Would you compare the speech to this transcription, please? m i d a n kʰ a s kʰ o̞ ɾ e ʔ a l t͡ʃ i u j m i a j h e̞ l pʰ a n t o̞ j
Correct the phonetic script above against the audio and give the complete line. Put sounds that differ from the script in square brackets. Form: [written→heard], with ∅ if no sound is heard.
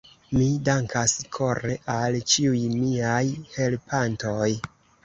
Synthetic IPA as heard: m i d a [n→ŋ] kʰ a s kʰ o̞ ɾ e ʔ a l t͡ʃ i u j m i a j h e̞ l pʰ a n t o̞ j